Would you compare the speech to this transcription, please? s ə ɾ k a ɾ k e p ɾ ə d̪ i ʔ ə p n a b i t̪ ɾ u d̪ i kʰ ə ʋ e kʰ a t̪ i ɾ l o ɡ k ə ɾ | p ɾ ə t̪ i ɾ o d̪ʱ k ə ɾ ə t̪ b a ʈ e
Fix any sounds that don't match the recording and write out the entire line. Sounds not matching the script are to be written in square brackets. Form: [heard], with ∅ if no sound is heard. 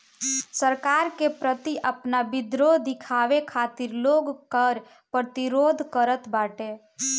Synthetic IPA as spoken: s ə ɾ k a ɾ k e p ɾ ə [t̪] i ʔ ə p n a b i [d̪] ɾ [o] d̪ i kʰ [a] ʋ e kʰ a t̪ i ɾ l o ɡ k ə ɾ | p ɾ ə t̪ i ɾ o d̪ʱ k ə ɾ ə t̪ b a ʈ e